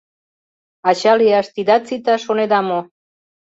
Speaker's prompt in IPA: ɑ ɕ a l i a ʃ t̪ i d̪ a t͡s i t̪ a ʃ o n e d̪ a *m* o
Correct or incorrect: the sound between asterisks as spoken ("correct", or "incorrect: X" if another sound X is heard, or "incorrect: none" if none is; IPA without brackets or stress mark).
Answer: correct